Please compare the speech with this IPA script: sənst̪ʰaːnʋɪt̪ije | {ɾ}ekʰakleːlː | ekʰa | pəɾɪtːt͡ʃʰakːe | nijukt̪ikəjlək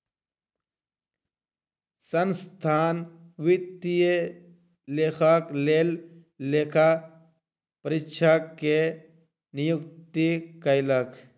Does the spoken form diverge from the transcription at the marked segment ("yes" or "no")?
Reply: yes